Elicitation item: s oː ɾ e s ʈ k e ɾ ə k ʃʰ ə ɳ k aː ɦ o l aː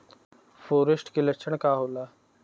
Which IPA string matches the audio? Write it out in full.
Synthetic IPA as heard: f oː ɾ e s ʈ k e l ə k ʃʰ ə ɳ k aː ɦ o l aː